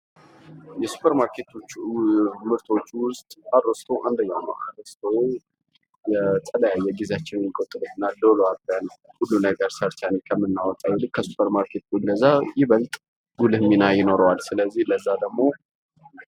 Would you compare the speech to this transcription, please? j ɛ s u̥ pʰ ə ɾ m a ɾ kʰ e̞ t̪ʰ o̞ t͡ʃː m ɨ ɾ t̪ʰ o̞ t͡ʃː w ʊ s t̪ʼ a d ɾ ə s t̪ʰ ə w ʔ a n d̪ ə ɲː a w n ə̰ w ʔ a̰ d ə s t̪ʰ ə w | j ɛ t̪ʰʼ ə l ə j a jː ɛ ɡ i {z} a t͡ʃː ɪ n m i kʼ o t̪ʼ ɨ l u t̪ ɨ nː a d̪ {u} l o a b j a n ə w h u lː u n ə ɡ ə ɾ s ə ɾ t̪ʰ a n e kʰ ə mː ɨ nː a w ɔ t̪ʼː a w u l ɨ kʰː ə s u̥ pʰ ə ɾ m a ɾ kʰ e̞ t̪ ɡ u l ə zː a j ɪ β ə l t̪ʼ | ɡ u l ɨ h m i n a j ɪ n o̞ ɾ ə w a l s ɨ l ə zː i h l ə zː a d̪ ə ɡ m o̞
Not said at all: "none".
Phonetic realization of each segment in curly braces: z, o

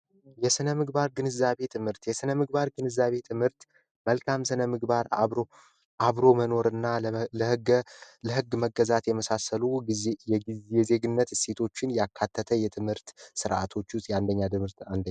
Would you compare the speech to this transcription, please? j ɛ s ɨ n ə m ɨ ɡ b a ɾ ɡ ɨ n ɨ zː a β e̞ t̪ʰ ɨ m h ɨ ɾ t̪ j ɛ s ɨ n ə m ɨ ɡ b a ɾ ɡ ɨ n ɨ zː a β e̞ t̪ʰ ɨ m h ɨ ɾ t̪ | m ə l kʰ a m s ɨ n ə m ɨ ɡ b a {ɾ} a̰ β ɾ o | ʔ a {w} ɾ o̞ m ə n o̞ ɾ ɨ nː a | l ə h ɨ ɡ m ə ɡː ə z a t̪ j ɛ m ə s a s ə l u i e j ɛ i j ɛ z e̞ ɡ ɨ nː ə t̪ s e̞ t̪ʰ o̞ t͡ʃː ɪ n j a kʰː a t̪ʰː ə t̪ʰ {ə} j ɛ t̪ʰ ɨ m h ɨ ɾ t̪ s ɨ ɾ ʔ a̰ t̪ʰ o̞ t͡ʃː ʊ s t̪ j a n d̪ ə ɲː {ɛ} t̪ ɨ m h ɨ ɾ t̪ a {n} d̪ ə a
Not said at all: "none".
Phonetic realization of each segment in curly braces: ɾ, β, ə, a, n

